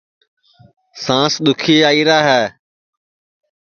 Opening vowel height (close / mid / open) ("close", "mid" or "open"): open